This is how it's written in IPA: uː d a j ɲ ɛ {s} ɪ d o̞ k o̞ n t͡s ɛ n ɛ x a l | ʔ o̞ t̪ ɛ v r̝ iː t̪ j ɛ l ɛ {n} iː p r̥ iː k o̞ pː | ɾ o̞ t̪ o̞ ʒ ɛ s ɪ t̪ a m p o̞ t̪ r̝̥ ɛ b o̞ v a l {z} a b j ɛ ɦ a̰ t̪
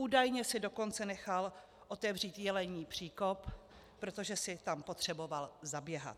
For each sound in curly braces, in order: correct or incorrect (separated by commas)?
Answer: correct, incorrect, correct